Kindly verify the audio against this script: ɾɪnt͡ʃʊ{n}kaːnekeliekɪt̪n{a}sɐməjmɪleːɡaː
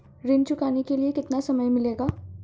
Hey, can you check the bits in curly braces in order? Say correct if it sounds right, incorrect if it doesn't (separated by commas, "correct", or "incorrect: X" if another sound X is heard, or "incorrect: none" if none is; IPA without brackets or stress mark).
incorrect: none, correct